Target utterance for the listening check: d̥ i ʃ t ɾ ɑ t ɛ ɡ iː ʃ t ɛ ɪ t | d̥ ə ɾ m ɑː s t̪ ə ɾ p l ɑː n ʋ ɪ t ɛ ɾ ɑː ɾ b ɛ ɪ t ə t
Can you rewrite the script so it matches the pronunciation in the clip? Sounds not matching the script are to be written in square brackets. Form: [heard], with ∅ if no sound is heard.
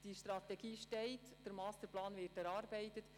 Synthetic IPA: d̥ i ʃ t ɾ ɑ t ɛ ɡ iː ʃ t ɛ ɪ t | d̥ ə ɾ m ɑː s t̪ ə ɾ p l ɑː n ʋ ɪ t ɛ ɾ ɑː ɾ b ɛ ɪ t ə t